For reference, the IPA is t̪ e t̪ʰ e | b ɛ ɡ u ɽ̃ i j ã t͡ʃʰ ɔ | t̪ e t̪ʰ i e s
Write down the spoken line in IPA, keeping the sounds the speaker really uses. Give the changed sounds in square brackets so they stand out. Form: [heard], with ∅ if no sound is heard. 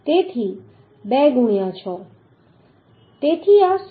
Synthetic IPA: t̪ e t̪ʰ [i] | b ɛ ɡ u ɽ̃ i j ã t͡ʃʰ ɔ | t̪ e t̪ʰ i [a] s